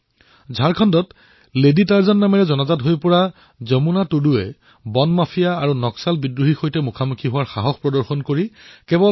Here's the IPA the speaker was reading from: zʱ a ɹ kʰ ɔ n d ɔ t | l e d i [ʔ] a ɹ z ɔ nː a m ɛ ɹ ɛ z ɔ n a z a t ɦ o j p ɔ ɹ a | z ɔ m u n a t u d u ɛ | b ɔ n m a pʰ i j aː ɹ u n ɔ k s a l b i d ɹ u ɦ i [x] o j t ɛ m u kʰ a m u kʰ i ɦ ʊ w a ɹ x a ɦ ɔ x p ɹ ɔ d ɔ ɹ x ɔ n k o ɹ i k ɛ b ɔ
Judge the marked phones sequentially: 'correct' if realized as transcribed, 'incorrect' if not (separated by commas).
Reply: incorrect, correct